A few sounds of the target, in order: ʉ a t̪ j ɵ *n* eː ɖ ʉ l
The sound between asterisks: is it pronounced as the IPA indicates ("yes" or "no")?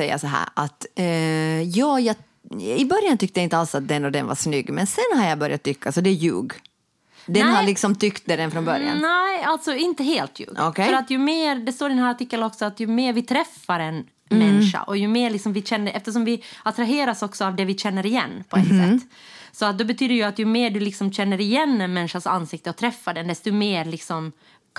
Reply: no